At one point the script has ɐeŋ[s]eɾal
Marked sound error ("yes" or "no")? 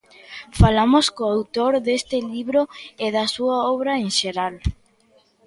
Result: yes